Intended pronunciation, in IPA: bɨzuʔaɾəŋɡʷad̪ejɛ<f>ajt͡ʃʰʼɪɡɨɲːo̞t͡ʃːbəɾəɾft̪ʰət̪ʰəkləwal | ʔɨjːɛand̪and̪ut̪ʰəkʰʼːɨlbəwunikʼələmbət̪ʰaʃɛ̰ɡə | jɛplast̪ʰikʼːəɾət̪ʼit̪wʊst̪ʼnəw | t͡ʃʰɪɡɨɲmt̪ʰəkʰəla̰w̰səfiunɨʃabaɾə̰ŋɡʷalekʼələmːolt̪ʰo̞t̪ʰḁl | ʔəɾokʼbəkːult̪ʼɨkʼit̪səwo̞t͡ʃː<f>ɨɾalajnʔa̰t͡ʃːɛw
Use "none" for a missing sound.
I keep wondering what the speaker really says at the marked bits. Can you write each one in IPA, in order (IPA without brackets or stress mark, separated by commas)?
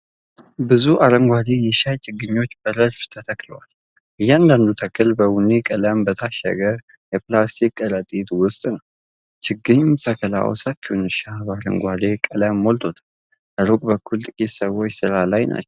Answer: ʃ, s